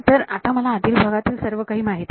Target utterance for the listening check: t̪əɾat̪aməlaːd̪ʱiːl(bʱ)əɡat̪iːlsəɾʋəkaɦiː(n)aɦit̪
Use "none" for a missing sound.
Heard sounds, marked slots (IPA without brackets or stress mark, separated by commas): bʱ, m